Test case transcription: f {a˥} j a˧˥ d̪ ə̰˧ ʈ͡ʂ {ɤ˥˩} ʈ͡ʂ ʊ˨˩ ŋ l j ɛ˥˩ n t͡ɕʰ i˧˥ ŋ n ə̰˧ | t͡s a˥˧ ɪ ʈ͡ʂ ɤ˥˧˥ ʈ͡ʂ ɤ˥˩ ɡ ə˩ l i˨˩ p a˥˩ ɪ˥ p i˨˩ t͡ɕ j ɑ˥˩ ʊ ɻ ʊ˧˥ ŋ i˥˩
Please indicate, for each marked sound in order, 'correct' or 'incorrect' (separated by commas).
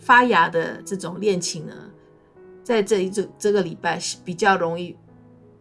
correct, correct